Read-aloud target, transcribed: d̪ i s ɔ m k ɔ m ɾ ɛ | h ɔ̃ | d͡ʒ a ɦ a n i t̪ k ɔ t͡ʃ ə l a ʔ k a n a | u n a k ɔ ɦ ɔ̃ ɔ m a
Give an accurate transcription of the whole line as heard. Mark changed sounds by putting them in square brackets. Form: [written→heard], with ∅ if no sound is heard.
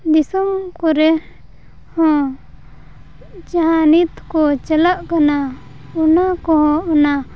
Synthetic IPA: d̪ i s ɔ m k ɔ [m→∅] ɾ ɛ | h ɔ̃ | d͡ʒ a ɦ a n i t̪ k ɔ t͡ʃ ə l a ʔ k a n a | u n a k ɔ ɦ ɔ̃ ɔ [m→n] a